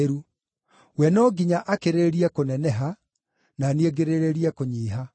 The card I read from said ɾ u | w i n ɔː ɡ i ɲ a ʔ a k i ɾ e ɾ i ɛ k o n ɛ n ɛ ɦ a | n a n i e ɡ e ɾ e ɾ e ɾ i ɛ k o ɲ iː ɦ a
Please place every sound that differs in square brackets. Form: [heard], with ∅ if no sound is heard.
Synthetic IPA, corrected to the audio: ɾ u | w [ɛ] n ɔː ɡ i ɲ a ʔ a k [e] ɾ e ɾ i ɛ k o n ɛ n ɛ ɦ a | n a n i e ɡ e ɾ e ɾ e ɾ i ɛ k o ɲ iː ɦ a